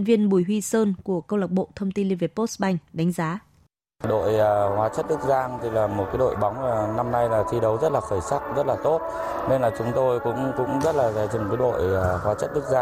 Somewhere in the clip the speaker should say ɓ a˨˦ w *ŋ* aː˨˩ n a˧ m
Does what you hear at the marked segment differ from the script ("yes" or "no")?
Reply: yes